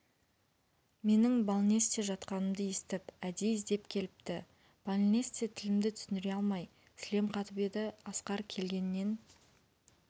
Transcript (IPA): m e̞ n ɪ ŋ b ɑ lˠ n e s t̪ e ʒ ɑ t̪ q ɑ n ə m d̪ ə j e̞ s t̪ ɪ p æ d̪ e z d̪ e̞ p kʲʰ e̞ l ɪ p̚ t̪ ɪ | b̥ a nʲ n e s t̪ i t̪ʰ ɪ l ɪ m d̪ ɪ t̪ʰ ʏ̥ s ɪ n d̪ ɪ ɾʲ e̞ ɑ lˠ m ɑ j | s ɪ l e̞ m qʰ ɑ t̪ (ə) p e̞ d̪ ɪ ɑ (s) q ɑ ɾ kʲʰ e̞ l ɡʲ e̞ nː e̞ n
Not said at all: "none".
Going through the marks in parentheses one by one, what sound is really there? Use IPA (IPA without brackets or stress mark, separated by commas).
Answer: ə, s